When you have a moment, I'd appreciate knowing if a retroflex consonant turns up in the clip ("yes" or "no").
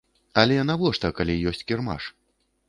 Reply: yes